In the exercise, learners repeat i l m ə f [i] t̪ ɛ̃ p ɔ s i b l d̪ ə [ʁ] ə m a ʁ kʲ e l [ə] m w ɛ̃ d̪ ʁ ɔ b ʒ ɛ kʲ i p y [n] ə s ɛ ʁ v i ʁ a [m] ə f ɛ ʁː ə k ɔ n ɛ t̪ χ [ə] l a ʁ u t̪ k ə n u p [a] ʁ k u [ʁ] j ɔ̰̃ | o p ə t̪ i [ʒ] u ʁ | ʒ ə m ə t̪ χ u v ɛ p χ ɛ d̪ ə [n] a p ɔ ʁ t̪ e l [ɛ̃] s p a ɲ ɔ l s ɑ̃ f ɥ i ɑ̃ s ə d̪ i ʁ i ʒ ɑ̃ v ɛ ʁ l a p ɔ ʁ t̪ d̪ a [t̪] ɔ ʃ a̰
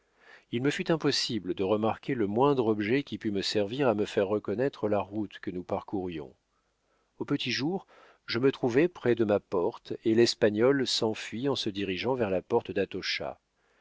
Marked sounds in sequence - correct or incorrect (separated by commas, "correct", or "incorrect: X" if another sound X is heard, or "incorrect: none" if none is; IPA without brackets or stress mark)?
incorrect: y, correct, correct, incorrect: m, correct, correct, correct, correct, correct, incorrect: m, incorrect: ɛ, correct